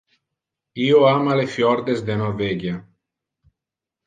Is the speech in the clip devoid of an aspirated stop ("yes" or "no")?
yes